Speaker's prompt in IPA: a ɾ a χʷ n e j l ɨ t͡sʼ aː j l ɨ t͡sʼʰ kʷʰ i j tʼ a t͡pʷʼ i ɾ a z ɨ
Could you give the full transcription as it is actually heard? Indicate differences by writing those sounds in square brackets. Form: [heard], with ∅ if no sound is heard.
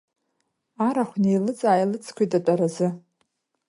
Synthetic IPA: a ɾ a χʷ n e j l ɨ t͡sʼ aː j l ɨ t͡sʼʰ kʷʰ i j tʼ a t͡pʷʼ [a] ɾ a z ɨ